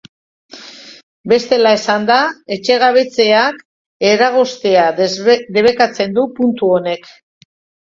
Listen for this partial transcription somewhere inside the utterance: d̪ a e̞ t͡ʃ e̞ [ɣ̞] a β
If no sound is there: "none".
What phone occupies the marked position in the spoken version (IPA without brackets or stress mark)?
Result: ɣ̞